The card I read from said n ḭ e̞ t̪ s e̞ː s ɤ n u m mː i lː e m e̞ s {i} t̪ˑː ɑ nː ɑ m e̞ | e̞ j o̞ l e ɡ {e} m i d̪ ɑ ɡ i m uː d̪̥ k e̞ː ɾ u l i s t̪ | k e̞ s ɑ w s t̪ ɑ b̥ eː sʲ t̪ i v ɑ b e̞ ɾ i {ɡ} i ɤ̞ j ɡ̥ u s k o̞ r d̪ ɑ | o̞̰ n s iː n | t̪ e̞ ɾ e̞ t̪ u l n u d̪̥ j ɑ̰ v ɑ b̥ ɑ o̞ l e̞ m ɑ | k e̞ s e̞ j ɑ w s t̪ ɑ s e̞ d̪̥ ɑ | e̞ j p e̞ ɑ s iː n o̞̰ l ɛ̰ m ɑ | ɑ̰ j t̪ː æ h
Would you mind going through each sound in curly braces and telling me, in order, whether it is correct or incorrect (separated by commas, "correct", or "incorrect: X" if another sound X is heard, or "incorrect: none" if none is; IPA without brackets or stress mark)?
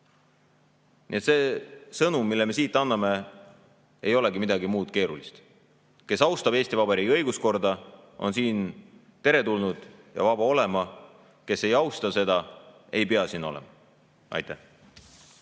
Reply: incorrect: iː, incorrect: i, correct